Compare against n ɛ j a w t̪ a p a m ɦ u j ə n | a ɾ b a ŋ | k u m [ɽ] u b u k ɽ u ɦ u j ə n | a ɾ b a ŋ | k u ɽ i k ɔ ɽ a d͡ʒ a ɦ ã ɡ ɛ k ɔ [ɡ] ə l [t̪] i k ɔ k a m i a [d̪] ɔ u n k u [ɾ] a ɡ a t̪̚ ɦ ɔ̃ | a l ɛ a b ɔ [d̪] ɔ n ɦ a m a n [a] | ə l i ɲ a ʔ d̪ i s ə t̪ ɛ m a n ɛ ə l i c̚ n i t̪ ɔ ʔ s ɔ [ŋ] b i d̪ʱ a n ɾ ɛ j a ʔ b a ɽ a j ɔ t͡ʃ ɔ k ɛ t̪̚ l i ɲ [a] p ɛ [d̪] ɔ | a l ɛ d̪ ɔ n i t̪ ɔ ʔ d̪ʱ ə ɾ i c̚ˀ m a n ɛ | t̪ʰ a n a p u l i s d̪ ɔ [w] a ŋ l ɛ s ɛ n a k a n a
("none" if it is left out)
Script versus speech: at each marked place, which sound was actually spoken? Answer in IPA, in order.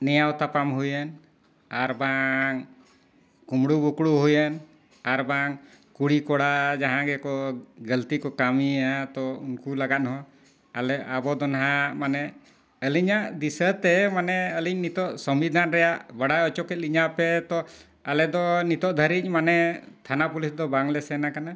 ɽ, ɡ, t̪, t̪, l, d̪, ɛ, m, a, t̪, b

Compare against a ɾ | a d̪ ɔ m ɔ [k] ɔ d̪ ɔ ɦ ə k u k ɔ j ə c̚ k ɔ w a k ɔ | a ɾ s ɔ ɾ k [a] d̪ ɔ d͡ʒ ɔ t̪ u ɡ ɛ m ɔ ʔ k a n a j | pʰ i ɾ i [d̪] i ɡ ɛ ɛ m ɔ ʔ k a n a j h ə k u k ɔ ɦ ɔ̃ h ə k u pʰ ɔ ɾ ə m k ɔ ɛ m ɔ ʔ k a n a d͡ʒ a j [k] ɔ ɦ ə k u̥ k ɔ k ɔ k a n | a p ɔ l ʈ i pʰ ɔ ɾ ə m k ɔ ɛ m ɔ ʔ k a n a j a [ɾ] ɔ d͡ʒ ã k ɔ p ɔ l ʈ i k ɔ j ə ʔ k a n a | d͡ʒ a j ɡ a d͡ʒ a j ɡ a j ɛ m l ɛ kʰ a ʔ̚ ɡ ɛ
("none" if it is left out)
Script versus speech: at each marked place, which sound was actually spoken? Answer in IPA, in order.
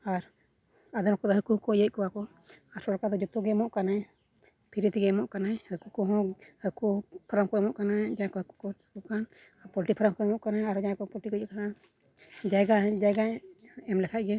k, a, t̪, k, ɾ

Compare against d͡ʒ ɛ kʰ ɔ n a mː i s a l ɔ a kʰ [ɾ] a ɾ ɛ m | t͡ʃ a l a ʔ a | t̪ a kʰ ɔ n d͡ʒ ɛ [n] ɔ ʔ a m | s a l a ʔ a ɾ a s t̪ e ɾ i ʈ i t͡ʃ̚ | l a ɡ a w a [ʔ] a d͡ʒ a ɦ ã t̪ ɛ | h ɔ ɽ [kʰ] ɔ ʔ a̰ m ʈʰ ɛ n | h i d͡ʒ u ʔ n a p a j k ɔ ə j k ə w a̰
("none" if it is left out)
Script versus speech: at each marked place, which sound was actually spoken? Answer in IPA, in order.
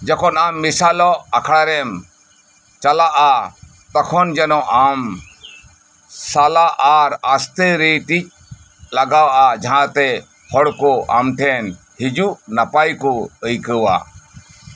ɽ, n, ʔ, k

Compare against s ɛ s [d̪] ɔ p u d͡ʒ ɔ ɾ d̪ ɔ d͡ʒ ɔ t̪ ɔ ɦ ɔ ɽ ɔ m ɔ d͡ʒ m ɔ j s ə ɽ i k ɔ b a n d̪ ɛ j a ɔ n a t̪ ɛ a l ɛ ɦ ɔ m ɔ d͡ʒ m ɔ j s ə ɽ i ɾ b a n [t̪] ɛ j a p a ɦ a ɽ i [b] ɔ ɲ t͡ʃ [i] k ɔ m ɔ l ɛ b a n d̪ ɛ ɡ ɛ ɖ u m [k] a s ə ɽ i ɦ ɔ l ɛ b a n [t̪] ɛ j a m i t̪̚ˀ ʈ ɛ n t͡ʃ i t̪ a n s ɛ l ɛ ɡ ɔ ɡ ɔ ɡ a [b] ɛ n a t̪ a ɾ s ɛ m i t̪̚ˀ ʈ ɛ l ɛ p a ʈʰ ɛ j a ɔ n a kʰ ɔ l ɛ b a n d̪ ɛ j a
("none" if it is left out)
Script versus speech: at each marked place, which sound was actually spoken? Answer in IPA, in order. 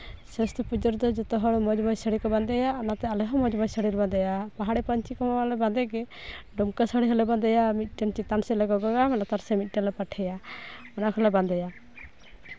t̪, d̪, p, i, k, d̪, m

